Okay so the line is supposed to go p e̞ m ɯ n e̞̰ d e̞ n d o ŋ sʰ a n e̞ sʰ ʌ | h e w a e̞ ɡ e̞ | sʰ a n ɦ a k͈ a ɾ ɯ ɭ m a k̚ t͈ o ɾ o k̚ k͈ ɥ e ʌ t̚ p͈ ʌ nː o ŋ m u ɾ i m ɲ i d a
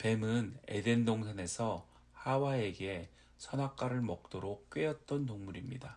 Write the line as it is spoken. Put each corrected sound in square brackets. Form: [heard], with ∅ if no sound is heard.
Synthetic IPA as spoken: p e̞ m ɯ n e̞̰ d e̞ n d o ŋ sʰ a n e̞ sʰ ʌ | h [a] w a e̞ ɡ e̞ | sʰ [ʌ] n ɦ a k͈ a ɾ ɯ ɭ m [ʌ] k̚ t͈ o ɾ o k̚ k͈ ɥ e ʌ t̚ [t͈] ʌ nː o ŋ m u ɾ i m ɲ i d a